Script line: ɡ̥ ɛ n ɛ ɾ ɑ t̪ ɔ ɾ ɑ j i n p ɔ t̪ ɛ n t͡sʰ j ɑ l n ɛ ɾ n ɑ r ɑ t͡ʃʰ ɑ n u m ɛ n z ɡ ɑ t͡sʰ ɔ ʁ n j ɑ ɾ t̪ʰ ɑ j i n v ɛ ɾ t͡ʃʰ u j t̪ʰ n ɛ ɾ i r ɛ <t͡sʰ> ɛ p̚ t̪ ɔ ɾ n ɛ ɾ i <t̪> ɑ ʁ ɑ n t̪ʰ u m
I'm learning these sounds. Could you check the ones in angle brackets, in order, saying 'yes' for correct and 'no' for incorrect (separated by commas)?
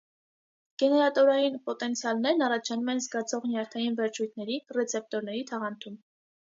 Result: yes, no